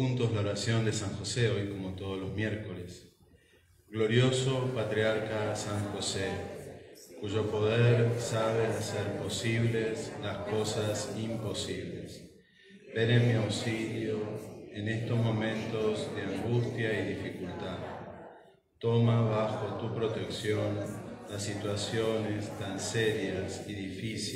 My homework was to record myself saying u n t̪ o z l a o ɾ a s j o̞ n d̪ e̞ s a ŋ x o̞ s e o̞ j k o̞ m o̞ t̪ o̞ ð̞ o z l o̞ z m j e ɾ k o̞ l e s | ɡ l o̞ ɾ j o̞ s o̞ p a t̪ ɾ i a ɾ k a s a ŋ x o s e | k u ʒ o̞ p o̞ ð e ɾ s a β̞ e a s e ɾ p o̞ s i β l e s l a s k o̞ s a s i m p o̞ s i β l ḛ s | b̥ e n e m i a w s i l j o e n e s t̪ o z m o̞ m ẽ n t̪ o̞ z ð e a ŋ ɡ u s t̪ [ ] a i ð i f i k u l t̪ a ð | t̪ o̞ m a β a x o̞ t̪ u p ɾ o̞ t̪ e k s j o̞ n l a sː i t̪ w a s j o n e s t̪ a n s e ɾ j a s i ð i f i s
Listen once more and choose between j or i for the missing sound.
j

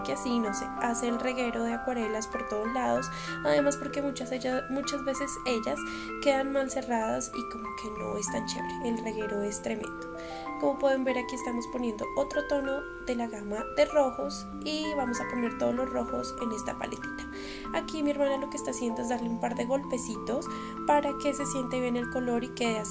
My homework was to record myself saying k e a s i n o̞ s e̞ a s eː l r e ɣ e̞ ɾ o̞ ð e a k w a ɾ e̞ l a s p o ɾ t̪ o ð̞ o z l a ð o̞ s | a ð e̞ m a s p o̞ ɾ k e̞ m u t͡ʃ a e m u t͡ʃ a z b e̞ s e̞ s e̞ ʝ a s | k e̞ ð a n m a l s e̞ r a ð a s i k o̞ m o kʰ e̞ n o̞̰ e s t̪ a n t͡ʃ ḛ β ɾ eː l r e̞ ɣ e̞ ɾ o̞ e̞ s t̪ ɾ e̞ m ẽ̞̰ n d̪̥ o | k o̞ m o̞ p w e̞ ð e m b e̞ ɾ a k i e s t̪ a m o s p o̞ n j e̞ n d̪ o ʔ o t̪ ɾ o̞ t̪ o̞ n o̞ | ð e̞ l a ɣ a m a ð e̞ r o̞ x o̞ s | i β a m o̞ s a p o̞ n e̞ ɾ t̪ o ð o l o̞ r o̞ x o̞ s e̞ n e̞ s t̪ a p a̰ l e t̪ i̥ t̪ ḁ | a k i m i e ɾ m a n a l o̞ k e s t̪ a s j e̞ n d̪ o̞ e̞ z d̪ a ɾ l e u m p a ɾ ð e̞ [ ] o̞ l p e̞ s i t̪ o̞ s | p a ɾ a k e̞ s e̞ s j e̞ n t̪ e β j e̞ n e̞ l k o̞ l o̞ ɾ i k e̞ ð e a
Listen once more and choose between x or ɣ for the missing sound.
ɣ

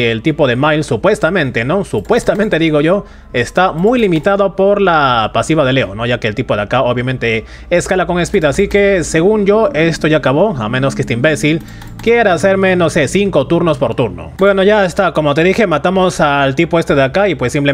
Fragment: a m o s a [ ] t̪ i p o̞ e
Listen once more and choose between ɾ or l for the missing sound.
l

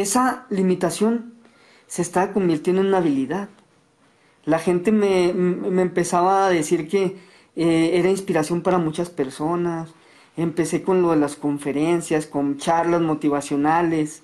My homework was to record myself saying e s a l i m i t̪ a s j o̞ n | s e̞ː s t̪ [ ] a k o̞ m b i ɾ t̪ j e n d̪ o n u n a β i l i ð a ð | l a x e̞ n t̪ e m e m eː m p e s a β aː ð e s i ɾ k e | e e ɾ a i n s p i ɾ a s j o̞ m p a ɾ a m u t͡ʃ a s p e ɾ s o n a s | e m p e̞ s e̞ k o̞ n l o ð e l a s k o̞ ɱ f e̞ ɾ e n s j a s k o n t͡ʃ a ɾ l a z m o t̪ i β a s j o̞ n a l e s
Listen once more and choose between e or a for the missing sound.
a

